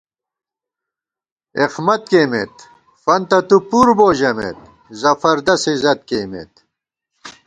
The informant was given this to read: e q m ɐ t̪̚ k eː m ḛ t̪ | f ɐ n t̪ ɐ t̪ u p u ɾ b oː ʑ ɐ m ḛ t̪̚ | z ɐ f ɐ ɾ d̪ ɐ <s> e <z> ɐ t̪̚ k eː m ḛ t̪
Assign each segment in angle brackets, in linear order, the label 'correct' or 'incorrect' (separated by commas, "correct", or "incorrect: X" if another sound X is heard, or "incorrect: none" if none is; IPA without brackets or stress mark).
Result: correct, correct